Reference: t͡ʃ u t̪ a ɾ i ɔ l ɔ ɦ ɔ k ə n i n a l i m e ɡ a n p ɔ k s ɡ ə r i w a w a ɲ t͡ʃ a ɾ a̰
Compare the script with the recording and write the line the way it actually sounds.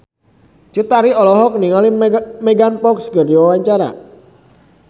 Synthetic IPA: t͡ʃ u t̪ a ɾ i ɔ l ɔ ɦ ɔ k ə n i ŋ a l i m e ɡ a n p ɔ k s ɡ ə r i w a w a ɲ t͡ʃ a ɾ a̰

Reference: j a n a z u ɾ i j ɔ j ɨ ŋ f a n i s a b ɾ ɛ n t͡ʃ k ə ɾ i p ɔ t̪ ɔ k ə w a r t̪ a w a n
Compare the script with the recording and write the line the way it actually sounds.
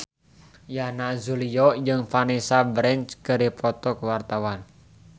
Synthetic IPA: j a n a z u l i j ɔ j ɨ ŋ f a n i s a b ɾ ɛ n t͡ʃ k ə ɾ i p ɔ t̪ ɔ k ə w a r t̪ a w a n

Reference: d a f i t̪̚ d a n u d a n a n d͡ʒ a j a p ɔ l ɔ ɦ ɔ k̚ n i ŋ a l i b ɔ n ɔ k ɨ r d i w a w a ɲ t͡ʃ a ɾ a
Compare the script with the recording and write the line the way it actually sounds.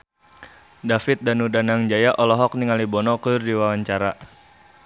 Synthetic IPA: d a f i t̪̚ d a n u d a n a ŋ d͡ʒ a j a ʔ ɔ l ɔ ɦ ɔ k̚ n i ŋ a l i b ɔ n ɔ k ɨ r d i w a w a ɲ t͡ʃ a ɾ a

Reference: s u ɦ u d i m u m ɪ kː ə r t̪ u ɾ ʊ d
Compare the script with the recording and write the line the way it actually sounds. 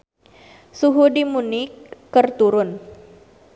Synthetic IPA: s u ɦ u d i m u n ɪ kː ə r t̪ u ɾ ʊ n

